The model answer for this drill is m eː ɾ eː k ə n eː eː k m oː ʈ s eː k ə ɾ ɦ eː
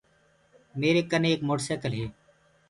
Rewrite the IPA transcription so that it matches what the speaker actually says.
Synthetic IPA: m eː ɾ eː k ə n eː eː k m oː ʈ s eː k ə l ɦ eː

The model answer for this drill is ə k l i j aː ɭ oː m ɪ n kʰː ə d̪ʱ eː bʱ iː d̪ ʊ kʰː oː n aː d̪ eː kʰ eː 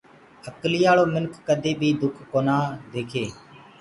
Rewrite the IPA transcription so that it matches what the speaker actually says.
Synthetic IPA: ə k l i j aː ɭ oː m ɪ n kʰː ə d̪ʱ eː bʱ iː d̪ ʊ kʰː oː n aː d̪ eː kʰ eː

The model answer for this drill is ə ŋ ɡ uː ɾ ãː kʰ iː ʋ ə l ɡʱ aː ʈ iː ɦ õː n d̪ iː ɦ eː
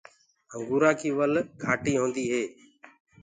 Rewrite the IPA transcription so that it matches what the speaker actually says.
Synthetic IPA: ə ŋ ɡ uː ɾ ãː kʰ iː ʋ ə l ɡʱ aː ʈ iː ɦ õː n d̪ iː ɦ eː

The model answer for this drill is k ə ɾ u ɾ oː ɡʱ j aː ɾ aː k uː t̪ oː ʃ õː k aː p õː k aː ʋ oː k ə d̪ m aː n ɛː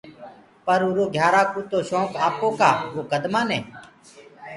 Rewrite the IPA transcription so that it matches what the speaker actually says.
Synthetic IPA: p ə ɾ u ɾ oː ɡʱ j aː ɾ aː k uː t̪ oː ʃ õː k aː p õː k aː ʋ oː k ə d̪ m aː n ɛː

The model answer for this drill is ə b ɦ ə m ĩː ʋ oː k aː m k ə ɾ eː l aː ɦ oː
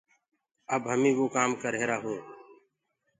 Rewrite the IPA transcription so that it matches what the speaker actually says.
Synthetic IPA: ə b ɦ ə m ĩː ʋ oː k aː m k ə ɾ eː ɾ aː ɦ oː

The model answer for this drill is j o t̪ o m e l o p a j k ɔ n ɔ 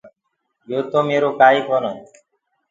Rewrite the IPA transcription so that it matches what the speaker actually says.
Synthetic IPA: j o t̪ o m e ɾ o k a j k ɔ n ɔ

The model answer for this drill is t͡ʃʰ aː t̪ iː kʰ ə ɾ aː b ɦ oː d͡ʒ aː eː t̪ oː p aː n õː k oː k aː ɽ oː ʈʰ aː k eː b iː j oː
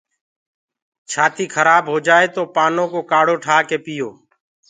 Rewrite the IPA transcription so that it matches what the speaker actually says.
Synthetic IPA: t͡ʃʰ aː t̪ iː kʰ ə ɾ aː b ɦ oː d͡ʒ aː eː t̪ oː p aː n õː k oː k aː ɽ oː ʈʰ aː k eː p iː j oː

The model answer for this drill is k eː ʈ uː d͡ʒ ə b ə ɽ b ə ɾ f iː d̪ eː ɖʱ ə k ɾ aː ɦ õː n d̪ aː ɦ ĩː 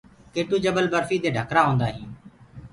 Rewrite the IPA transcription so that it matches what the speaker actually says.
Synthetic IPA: k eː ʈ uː d͡ʒ ə b ə l b ə ɾ f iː d̪ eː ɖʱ ə k ɾ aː ɦ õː n d̪ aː ɦ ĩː

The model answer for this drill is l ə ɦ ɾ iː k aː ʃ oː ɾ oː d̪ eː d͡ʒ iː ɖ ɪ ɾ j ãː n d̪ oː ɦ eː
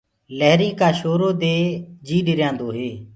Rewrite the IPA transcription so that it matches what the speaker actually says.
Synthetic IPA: l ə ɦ ɾ iː k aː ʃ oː ɾ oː d̪ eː d͡ʒ iː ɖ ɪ ɾ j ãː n d̪ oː ɦ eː

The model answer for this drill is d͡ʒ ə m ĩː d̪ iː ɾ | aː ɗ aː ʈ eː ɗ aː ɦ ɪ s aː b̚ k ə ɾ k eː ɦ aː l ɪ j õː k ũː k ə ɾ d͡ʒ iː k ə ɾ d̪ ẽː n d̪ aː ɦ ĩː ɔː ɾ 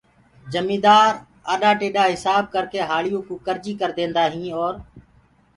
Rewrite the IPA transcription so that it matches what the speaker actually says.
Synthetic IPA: d͡ʒ ə m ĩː d̪ aː ɾ | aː ɗ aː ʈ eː ɗ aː ɦ ɪ s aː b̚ k ə ɾ k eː ɦ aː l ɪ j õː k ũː k ə ɾ d͡ʒ iː k ə ɾ d̪ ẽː n d̪ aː ɦ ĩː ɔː ɾ

